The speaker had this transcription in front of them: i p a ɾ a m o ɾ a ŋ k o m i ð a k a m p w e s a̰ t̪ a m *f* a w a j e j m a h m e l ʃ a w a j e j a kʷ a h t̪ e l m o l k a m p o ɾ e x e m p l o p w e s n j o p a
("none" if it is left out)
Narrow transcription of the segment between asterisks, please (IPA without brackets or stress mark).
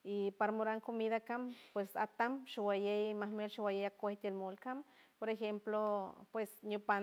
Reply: ʃ